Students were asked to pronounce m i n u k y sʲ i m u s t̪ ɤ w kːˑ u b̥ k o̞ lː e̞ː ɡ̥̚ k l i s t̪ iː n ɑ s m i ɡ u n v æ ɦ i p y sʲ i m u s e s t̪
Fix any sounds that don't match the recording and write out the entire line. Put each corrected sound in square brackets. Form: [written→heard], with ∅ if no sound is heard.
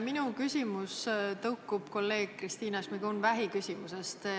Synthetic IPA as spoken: m i n u k y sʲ i m u s t̪ ɤ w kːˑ u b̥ k o̞ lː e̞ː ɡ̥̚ k [l→r] i s t̪ iː n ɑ s m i ɡ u n v æ ɦ i [p→k] y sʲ i m u s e s t̪